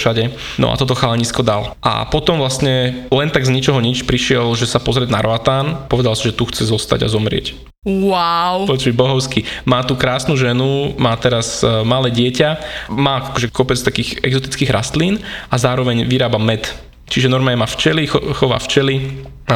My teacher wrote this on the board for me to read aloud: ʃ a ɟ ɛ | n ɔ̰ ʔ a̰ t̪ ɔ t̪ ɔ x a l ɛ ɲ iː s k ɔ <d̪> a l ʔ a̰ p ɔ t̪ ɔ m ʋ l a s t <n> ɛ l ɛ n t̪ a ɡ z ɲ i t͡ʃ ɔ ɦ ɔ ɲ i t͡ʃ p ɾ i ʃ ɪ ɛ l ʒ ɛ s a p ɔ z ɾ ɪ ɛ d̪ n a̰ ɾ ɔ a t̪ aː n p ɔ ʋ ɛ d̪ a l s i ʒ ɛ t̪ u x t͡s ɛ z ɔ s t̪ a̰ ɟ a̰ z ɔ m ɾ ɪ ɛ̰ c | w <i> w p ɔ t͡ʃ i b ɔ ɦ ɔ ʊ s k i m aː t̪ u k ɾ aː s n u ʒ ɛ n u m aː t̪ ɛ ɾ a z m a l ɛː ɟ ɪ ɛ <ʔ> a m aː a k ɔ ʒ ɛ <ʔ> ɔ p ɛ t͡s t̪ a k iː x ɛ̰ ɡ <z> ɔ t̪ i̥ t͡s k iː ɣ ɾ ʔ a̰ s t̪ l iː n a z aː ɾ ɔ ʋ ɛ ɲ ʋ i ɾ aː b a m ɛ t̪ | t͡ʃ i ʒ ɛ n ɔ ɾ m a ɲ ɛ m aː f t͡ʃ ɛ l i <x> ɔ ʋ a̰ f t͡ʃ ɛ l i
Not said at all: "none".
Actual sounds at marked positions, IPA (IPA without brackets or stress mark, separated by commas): d̪, ɲ, a, c, k, z, x